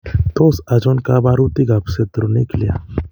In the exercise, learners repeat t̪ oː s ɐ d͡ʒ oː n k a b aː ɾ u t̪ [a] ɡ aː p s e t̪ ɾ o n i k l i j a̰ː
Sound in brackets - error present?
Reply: yes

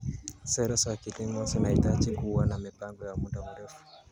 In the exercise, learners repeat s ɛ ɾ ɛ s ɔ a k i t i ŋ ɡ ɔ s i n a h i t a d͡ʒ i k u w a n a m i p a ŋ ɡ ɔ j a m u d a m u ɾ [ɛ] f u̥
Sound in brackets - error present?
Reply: no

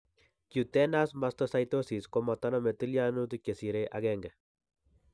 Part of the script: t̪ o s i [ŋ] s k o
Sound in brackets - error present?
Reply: yes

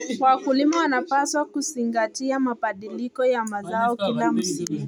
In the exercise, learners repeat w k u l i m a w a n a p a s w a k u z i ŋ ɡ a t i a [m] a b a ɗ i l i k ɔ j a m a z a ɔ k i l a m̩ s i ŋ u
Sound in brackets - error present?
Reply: no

